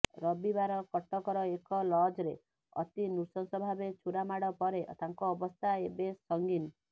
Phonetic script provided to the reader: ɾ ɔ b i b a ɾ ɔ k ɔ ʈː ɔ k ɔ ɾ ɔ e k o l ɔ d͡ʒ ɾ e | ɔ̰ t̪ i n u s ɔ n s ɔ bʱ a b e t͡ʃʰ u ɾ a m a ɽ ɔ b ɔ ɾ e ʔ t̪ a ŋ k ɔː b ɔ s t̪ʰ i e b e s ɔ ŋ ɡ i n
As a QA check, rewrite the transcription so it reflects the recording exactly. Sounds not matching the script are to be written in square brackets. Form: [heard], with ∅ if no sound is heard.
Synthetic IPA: ɾ ɔ b i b a ɾ ɔ k ɔ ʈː ɔ k ɔ ɾ ɔ e k [ɔ] l ɔ d͡ʒ ɾ e | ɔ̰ t̪ i n u s ɔ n s ɔ bʱ a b e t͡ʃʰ u ɾ a m a ɽ ɔ [p] ɔ ɾ e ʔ t̪ a ŋ k ɔː b ɔ s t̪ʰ [a] e b e s ɔ ŋ ɡ i n